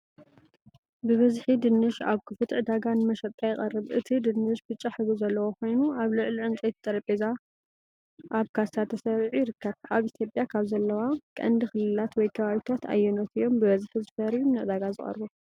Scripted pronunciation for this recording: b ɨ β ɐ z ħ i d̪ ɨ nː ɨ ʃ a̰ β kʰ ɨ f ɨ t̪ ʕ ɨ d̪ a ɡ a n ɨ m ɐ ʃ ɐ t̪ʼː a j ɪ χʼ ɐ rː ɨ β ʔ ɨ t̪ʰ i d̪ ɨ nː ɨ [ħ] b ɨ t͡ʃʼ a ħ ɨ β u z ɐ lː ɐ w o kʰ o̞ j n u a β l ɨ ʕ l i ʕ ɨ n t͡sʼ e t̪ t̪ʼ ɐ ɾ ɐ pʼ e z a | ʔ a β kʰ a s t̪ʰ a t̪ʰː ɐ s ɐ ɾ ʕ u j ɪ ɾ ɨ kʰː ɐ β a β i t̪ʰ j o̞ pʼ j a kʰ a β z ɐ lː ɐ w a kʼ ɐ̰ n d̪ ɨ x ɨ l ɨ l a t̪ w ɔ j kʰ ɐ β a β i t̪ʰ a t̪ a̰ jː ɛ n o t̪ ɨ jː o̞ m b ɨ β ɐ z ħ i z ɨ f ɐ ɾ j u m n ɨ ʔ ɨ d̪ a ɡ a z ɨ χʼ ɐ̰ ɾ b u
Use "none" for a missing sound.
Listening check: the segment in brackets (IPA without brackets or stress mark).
ʃ